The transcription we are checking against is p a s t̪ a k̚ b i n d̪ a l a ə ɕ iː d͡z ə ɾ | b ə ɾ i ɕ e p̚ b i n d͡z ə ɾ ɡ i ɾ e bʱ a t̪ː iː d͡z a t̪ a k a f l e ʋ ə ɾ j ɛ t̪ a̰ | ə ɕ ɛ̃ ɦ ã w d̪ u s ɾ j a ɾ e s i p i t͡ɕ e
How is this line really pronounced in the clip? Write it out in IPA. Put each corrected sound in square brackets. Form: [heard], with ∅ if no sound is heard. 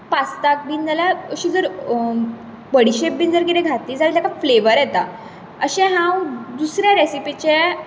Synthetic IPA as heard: p a s t̪ a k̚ b i n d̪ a l a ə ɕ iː d͡z ə ɾ | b ə [ɽ] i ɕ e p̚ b i n d͡z ə ɾ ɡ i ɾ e [ɡʱ] a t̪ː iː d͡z a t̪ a k a f l e ʋ ə ɾ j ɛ t̪ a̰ | ə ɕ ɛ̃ ɦ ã w d̪ u s ɾ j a ɾ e s i p i t͡ɕ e

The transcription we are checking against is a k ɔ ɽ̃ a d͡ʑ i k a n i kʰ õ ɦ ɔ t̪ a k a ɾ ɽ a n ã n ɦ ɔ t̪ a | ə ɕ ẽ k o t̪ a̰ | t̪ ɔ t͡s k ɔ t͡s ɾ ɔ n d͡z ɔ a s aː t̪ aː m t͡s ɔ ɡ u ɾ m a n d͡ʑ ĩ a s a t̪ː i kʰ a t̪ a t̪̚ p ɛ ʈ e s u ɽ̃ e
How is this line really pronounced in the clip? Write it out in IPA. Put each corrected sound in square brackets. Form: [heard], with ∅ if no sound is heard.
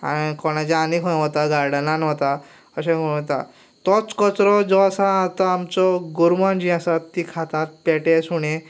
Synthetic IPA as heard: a k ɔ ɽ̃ a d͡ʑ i [∅] a n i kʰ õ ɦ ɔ t̪ a [ɡ] a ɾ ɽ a n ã n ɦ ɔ t̪ a | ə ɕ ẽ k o t̪ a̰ | t̪ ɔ t͡s k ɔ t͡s ɾ ɔ [∅] d͡z ɔ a s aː t̪ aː m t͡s ɔ ɡ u ɾ m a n d͡ʑ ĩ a s a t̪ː i kʰ a t̪ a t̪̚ p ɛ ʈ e s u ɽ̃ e

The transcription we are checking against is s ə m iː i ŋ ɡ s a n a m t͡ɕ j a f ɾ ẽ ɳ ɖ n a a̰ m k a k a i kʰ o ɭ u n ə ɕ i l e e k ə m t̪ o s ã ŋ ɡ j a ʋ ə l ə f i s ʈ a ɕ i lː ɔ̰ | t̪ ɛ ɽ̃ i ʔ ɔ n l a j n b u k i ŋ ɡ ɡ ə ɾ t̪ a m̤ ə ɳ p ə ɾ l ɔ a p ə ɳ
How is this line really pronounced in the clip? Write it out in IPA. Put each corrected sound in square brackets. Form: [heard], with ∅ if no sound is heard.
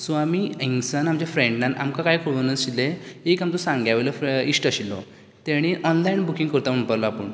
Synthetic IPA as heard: s [a] m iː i ŋ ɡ s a n a m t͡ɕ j a f ɾ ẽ ɳ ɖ n a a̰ m k a k a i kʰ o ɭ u n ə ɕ i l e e k [a] m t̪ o s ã ŋ ɡ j a ʋ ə l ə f i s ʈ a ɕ i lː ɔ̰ | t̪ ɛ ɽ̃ i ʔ ɔ n l a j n b u k i ŋ ɡ [k] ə ɾ t̪ a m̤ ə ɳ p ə ɾ l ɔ a p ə ɳ

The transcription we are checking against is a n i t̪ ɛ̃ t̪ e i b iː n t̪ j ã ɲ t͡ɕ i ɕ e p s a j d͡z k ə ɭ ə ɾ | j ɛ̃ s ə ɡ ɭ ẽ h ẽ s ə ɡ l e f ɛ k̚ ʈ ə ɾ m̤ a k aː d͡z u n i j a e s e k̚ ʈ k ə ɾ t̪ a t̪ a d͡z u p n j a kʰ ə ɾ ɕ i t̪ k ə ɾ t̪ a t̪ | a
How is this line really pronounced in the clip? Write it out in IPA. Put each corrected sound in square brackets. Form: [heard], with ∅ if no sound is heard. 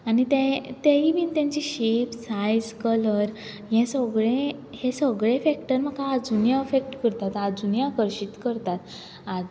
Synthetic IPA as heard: a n i t̪ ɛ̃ t̪ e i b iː n t̪ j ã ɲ t͡ɕ i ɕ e p s a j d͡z k ə [l] ə ɾ | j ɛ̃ s ə ɡ ɭ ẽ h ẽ s ə ɡ [ɭ] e f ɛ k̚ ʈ ə ɾ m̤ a k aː d͡z u n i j a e [f] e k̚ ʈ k ə ɾ t̪ a t̪ a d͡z u [∅] n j a [k] ə ɾ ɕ i t̪ k ə ɾ t̪ a t̪ | a

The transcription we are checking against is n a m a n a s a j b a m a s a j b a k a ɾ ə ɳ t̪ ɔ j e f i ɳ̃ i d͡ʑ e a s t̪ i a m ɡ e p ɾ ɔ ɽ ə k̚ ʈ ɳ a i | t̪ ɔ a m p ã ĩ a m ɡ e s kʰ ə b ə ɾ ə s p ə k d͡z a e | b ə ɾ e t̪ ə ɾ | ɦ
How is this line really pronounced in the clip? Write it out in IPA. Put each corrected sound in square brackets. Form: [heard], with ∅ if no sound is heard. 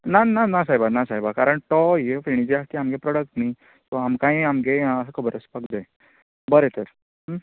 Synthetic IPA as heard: n a [n] a n a s a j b a [n] a s a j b a k a ɾ ə ɳ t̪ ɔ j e f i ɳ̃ i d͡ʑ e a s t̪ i a m ɡ e p ɾ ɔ ɽ ə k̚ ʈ [n] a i | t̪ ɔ a m [k] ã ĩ a m ɡ e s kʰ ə b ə ɾ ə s p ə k d͡z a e | b ə ɾ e t̪ ə ɾ | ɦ

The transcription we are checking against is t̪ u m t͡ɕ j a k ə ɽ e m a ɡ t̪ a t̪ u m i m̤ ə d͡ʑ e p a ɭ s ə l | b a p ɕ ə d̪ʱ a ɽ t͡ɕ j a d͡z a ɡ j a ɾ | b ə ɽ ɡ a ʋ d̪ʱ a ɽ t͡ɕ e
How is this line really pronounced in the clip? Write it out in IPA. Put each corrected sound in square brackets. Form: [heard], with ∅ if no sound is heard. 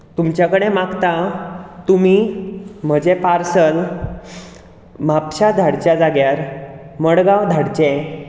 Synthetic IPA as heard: t̪ u m t͡ɕ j a k ə ɽ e m a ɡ t̪ a t̪ u m i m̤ ə d͡ʑ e p a [ɾ] s ə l | [m] a p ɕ [a] d̪ʱ a ɽ t͡ɕ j a d͡z a ɡ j a ɾ | [m] ə ɽ ɡ a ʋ d̪ʱ a ɽ t͡ɕ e

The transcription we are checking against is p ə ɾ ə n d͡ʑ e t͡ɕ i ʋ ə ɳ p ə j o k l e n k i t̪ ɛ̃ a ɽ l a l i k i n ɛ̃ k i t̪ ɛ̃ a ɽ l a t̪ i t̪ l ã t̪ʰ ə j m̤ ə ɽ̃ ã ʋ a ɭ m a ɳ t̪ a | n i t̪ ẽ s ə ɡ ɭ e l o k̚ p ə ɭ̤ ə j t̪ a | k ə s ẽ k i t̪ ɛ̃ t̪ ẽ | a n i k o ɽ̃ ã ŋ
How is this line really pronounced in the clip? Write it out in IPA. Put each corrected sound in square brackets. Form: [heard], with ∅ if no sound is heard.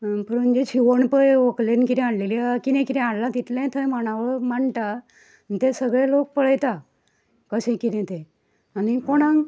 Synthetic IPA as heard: p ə ɾ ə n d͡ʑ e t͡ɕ i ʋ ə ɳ p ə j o k l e n k i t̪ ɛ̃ a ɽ l [e] l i k i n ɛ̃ k i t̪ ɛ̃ a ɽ l a t̪ i t̪ l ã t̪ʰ ə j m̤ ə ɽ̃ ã ʋ [ə] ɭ m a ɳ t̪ a | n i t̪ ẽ s ə ɡ ɭ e l o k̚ p ə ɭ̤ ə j t̪ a | k ə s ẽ k i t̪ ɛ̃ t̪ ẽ | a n i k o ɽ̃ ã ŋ

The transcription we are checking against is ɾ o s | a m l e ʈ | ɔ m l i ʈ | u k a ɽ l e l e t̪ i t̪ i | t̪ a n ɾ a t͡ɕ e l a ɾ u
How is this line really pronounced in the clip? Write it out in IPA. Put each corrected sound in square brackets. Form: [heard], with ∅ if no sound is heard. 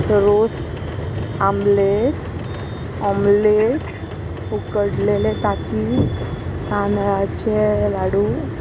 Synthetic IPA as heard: ɾ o s | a m l e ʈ | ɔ m l [e] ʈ | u k [ə] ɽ l e l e t̪ [a] t̪ i | t̪ a n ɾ a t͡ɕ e l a [ɽ] u

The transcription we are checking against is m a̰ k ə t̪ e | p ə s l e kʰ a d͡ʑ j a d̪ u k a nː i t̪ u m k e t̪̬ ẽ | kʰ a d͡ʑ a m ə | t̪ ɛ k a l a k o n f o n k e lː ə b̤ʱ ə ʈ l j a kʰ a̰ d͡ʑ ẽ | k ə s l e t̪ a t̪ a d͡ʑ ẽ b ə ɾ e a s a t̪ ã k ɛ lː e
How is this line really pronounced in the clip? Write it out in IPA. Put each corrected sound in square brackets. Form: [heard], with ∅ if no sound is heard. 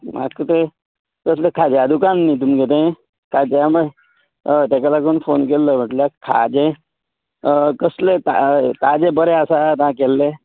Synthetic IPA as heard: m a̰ k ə t̪ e | [k] ə s l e kʰ a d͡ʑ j a d̪ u k a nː i t̪ u m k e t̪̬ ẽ | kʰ a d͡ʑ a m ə | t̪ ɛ k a l a k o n f o n k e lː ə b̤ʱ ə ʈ l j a kʰ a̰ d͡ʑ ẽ | k ə s l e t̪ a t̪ a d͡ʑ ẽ b ə ɾ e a s a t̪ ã k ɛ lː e

